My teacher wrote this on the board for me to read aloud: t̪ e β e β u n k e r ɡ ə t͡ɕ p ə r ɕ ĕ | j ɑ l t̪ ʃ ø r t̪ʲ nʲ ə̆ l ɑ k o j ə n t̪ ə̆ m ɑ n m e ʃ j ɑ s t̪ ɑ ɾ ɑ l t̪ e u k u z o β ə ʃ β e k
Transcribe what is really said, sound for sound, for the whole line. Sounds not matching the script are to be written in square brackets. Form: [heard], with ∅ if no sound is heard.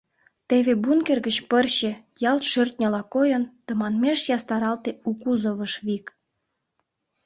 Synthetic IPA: t̪ e β e [b] u n k e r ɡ ə t͡ɕ p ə r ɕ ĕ | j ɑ l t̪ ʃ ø r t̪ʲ nʲ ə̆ l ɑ k o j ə n t̪ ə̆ m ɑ n m e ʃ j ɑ s t̪ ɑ ɾ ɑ l t̪ e u k u z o β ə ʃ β [i] k